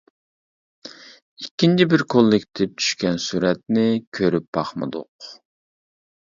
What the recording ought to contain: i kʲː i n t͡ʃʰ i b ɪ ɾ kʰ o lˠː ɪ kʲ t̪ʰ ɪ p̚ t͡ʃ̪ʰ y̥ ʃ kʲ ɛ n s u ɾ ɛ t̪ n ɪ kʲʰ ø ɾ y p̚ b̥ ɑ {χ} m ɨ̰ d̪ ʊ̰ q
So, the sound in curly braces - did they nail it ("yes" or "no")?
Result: yes